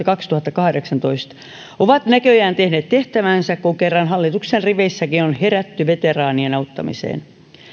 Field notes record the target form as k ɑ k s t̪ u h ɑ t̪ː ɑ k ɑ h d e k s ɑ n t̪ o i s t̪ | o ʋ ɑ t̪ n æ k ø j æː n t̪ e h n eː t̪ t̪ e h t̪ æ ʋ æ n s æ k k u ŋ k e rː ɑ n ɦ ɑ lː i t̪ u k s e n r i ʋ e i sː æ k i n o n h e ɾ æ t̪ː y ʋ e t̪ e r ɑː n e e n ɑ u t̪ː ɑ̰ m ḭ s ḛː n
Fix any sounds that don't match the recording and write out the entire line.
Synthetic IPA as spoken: k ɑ k s t̪ u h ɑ t̪ː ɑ k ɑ h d e k s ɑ n t̪ o i s t̪ | o ʋ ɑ t̪ n æ k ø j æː n t̪ e h n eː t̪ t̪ e h t̪ æ ʋ æ n s æ k k u ŋ k e rː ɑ n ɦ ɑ lː i t̪ u k s e n r i ʋ e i sː æ k i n o n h e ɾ æ t̪ː y ʋ e t̪ e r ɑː n i e n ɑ u t̪ː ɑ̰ m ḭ s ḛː n

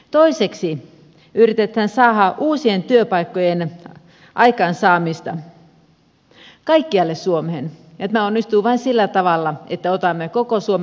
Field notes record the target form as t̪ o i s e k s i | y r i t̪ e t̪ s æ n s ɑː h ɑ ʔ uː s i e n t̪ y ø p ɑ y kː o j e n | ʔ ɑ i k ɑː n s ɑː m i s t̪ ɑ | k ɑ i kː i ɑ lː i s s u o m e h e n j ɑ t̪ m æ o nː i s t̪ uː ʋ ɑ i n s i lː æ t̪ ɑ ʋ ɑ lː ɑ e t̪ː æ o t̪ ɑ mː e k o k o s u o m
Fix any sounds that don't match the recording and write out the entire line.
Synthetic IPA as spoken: t̪ o i s e k s i | y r i t̪ e t̪ h æ n s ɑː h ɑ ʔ uː s i e n t̪ y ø p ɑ i kː o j e n | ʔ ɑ i k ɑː n s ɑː m i s t̪ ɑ | k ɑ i kː i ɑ lː e s s u o m e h e n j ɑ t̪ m æ o nː i s t̪ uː ʋ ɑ i n s i lː æ t̪ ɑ ʋ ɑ lː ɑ e t̪ː æ o t̪ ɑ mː e k o k o s u o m

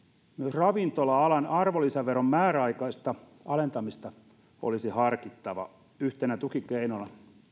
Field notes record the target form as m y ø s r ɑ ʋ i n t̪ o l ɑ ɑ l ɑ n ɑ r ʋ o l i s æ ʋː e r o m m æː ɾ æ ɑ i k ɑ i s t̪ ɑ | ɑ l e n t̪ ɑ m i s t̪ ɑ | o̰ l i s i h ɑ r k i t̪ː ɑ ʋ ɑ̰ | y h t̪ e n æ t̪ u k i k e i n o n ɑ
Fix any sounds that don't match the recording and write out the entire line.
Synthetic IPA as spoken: m y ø s r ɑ ʋ i n t̪ o l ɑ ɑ l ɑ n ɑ r ʋ o l i s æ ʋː e r o m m æː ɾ æ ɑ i k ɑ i s t̪ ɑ | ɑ l e n t̪ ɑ m i s t̪ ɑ | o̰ l i s i h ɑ r k i t̪ː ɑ ʋ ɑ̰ | y h t̪ e n æ t̪ u k i k e i n o n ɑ

